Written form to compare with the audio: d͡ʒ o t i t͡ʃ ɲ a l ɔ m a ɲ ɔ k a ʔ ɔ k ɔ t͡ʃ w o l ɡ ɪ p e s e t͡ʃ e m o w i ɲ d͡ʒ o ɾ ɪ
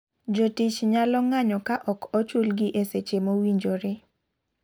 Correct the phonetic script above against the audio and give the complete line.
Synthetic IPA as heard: d͡ʒ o t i t͡ʃ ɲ a l ɔ ŋ a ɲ ɔ k a ʔ ɔ k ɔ t͡ʃ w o l ɡ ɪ ʔ e s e t͡ʃ e m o w i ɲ d͡ʒ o ɾ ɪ